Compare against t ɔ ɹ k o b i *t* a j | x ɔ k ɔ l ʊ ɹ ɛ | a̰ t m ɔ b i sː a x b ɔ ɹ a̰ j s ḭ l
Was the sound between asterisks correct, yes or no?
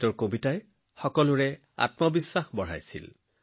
yes